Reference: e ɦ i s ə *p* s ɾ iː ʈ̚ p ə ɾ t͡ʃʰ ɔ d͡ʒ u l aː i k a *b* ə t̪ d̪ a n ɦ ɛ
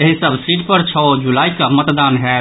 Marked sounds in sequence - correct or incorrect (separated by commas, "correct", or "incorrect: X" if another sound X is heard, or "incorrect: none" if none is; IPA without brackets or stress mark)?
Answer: incorrect: b, incorrect: m